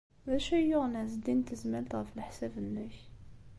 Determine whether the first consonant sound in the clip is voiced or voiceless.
voiced